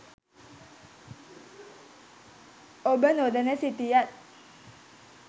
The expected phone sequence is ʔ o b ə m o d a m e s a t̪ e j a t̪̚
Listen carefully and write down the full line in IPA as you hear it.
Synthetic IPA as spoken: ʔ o b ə n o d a n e s i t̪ i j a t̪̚